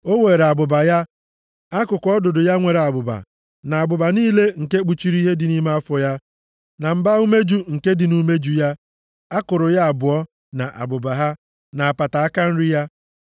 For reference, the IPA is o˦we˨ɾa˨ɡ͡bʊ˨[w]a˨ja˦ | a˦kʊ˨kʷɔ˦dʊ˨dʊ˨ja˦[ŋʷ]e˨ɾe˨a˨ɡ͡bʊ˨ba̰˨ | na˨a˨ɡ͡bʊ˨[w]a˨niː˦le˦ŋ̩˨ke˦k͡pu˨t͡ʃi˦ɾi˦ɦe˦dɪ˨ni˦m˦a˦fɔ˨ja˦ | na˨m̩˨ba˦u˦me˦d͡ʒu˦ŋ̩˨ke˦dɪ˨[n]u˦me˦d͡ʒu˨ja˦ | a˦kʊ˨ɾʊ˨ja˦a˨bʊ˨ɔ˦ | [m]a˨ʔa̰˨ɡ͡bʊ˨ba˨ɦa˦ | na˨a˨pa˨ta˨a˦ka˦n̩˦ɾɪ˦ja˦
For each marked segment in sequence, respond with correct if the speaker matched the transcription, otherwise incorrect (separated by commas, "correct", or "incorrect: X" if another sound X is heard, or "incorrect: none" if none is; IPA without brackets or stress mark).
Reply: incorrect: b, correct, incorrect: b, correct, incorrect: n